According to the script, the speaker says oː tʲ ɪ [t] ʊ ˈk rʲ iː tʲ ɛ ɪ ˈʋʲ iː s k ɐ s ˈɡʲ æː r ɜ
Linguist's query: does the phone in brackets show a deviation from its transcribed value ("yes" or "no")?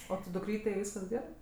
yes